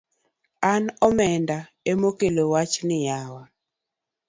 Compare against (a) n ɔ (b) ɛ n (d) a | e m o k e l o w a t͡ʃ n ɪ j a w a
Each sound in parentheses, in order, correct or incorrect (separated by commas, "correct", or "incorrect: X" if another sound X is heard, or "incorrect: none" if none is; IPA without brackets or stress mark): correct, incorrect: m, correct